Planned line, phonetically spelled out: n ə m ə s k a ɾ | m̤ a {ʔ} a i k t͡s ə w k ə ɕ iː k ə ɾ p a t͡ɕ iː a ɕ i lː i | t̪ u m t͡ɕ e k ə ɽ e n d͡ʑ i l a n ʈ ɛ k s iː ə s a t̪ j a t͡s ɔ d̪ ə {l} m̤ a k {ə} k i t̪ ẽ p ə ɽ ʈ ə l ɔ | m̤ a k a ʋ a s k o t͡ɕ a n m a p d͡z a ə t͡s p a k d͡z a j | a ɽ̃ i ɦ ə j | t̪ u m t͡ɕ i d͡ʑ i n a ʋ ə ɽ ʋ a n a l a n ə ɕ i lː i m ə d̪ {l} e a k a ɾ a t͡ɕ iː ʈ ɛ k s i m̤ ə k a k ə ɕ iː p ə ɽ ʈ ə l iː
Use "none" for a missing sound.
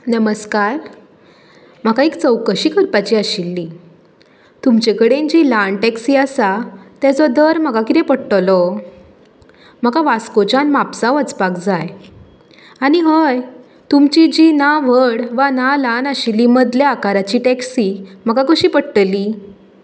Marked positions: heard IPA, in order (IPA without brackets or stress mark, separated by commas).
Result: k, ɾ, a, l